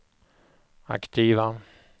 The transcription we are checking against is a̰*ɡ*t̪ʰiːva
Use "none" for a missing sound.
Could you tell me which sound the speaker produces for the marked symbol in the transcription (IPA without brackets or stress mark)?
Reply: k